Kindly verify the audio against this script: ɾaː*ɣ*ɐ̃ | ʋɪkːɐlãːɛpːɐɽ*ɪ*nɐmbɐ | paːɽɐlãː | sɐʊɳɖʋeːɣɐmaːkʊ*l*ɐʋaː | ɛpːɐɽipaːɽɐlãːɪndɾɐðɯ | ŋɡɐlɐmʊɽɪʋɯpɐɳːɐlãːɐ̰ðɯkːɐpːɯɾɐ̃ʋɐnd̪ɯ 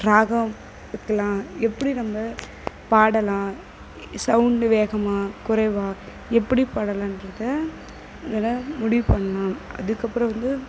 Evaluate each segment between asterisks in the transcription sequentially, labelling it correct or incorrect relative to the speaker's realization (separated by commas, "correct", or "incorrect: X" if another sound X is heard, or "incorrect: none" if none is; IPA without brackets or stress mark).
correct, incorrect: i, incorrect: ɾ